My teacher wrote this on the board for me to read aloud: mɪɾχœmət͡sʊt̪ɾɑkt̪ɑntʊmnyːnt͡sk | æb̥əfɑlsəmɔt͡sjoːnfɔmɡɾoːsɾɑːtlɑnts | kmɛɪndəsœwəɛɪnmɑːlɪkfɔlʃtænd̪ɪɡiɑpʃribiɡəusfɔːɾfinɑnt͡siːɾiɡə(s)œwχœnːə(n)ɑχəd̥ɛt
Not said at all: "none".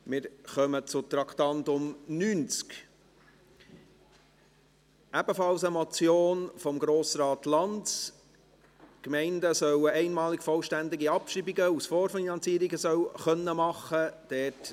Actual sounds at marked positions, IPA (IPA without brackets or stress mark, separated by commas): s, m